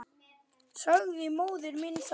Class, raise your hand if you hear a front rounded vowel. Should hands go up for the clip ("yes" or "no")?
yes